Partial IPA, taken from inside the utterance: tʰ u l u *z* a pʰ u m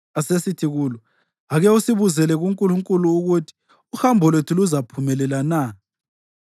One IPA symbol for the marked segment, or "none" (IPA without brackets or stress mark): z